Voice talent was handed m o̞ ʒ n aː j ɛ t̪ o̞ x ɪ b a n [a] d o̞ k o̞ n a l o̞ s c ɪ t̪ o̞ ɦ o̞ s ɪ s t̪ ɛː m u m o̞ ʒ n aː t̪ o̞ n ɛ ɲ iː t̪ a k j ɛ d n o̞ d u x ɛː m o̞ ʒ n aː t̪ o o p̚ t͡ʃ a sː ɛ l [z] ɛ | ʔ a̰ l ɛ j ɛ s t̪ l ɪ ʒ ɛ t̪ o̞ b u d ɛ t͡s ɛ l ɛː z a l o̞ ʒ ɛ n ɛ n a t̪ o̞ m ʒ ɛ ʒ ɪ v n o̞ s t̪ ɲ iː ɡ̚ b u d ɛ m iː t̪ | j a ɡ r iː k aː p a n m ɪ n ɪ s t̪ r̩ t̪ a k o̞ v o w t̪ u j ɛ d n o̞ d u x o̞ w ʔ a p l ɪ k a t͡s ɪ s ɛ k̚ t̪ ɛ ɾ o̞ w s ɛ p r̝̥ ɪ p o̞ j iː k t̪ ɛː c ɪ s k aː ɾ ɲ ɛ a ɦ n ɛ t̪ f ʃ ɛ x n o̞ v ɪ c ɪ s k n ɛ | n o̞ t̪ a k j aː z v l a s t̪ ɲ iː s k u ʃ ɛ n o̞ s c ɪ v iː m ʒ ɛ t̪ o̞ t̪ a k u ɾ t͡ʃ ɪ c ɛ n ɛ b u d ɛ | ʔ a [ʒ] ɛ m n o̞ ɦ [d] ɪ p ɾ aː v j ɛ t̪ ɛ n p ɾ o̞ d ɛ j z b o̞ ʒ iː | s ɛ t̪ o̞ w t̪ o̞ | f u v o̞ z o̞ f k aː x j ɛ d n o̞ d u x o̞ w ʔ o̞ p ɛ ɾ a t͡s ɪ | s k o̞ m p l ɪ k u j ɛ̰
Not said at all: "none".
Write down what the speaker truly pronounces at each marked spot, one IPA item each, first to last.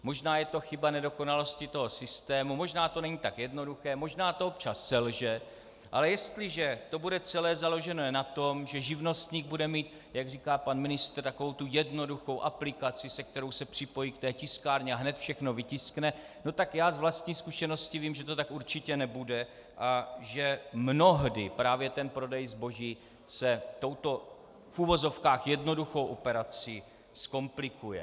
ɛ, ʒ, ʒ, d

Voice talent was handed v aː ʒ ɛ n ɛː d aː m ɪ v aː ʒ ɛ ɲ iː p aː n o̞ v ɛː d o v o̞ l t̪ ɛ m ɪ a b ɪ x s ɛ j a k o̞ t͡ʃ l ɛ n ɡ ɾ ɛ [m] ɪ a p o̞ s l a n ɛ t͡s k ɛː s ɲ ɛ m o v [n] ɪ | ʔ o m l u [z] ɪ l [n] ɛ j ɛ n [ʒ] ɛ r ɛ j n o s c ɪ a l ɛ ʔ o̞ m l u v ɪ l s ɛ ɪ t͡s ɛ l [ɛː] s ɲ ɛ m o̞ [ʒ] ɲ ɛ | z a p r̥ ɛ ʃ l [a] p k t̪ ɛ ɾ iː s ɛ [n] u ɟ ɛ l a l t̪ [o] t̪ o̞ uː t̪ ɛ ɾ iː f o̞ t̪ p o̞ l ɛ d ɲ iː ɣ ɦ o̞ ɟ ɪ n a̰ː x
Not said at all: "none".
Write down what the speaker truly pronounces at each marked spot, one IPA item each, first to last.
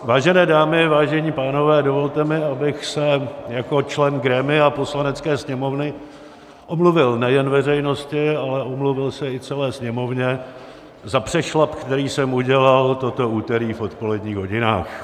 m, n, v, n, v, ɛː, v, a, m, o

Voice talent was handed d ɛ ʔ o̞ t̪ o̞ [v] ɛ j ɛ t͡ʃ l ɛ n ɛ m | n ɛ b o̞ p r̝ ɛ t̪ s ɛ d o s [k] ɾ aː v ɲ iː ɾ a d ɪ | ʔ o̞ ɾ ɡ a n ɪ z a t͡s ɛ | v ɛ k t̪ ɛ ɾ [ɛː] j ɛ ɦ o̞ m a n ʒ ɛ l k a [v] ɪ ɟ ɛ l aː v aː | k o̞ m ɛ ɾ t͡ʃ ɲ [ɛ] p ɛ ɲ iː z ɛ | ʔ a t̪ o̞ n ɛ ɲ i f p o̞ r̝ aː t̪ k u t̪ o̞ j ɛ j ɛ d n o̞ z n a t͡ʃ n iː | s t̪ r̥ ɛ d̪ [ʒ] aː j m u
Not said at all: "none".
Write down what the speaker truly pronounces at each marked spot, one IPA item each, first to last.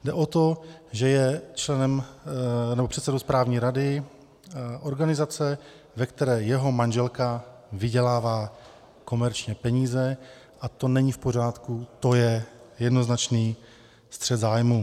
ʒ, p, ɛː, v, ɛ, z

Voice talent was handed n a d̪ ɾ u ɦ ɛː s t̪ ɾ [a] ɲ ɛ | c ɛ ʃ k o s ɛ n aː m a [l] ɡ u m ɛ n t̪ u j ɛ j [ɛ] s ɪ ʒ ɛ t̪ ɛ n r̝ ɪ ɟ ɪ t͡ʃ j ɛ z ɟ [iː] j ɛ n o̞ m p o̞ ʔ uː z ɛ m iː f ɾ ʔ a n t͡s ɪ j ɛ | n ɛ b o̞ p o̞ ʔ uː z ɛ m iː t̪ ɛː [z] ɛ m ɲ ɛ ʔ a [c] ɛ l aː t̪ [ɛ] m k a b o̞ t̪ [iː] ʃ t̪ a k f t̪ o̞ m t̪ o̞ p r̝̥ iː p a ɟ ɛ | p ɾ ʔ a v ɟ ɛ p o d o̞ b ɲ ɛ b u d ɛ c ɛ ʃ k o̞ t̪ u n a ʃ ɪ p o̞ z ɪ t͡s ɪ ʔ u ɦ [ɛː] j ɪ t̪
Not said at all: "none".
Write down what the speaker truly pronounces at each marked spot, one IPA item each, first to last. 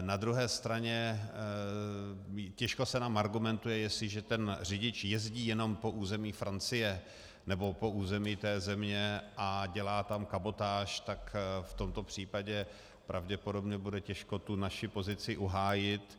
a, ɾ, ɛ, iː, z, ɟ, a, aː, aː

